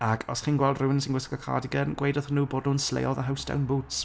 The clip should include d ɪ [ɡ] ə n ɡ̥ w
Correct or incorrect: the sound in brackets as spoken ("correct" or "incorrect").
correct